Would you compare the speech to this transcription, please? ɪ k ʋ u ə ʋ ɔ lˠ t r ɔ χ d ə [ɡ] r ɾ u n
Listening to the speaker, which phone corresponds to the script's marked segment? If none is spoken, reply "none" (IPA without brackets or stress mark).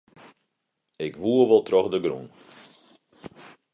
ɡ